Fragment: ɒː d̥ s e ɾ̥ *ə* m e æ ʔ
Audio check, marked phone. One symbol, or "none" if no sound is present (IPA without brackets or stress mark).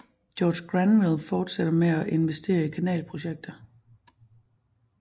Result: ɐ